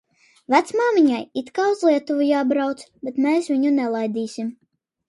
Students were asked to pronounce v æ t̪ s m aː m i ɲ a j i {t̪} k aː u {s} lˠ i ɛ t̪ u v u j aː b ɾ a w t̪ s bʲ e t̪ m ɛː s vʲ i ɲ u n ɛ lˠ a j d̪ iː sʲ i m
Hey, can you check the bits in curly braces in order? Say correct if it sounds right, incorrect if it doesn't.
correct, incorrect

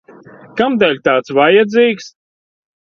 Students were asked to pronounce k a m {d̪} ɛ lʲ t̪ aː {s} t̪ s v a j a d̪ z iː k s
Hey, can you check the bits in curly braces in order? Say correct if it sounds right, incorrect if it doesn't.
correct, incorrect

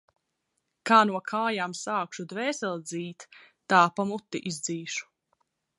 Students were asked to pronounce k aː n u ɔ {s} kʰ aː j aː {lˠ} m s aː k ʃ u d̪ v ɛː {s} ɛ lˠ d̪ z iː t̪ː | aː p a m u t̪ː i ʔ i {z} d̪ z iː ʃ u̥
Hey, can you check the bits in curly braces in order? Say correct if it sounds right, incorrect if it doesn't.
incorrect, incorrect, correct, correct

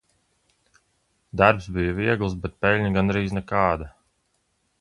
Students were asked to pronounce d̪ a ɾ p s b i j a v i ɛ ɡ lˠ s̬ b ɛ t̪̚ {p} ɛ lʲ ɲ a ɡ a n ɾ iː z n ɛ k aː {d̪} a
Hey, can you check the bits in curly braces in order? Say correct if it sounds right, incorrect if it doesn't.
correct, correct

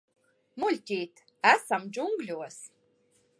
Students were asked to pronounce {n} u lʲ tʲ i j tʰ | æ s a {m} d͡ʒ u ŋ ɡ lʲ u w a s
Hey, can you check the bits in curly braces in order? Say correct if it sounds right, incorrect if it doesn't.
incorrect, correct

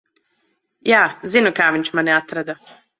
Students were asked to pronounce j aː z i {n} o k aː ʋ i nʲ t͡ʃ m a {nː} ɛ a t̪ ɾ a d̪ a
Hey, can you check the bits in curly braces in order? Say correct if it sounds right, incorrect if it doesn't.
correct, incorrect

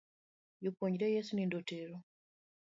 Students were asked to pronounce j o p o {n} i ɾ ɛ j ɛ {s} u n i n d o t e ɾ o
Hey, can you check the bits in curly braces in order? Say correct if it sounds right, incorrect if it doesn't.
incorrect, correct

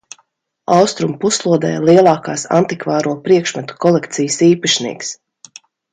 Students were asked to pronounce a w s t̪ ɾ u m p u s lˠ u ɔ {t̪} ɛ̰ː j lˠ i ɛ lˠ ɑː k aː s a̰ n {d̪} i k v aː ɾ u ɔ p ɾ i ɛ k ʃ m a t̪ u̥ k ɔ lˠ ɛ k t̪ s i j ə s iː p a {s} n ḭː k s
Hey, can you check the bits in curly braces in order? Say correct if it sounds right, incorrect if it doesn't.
incorrect, incorrect, incorrect

